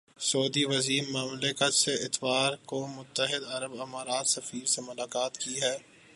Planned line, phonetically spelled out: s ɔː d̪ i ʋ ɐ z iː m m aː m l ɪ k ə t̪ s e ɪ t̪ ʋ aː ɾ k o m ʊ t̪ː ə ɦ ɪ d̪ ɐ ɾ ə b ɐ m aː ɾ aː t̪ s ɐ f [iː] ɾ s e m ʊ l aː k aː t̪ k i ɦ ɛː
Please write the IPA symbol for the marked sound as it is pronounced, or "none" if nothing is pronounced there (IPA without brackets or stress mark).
iː